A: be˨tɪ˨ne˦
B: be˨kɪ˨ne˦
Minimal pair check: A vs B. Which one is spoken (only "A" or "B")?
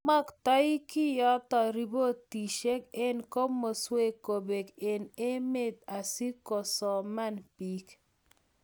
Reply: B